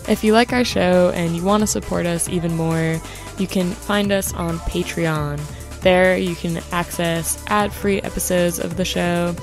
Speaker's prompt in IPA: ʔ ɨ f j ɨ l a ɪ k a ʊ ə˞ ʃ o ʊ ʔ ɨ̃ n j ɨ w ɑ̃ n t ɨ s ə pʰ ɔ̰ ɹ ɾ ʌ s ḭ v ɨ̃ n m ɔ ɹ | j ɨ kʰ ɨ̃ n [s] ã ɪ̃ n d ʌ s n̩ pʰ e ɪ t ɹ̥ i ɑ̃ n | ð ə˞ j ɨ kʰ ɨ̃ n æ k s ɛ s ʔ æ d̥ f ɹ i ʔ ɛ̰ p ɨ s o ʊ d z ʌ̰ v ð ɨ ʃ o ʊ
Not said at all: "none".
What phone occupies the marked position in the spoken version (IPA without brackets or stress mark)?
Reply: f